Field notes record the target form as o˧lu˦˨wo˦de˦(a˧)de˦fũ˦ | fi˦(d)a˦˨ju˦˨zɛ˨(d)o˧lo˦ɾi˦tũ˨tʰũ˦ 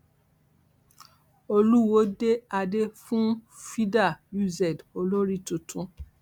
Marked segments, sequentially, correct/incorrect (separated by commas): correct, correct, correct